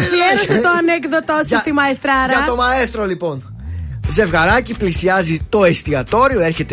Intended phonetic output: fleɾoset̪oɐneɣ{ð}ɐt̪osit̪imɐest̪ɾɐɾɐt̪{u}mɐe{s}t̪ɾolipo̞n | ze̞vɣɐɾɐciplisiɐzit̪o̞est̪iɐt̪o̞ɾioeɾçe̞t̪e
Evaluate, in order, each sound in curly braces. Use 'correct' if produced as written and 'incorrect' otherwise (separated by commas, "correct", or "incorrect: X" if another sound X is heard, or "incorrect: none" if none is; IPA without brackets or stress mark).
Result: correct, incorrect: o, correct